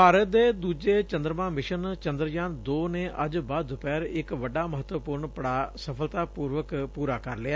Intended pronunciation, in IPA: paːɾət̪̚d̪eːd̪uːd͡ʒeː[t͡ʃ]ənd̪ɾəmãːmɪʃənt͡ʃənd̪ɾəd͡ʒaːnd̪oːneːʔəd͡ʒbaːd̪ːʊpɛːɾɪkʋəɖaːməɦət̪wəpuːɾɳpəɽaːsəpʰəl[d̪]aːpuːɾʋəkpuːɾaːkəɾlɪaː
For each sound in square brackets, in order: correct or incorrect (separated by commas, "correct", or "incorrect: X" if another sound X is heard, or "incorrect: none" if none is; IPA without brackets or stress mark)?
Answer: correct, incorrect: t̪